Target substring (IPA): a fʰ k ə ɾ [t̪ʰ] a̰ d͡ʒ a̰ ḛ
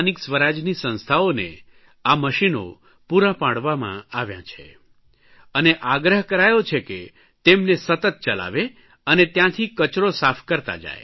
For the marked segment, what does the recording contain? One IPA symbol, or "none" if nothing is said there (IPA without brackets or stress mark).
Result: t̪